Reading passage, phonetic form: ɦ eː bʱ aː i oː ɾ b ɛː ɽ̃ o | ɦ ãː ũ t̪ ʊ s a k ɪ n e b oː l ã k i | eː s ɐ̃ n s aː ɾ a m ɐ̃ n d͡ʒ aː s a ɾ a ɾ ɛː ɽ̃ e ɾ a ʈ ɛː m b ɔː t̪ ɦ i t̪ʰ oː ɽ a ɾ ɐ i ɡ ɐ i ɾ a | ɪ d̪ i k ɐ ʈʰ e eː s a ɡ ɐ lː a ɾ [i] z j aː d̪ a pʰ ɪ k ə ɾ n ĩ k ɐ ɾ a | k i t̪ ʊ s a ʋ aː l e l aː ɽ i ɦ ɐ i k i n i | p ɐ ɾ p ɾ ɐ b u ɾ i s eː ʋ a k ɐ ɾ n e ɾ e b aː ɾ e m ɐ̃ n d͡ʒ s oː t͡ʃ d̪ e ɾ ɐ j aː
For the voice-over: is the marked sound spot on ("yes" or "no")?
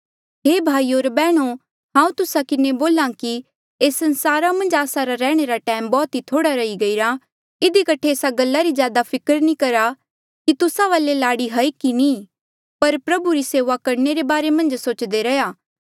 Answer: yes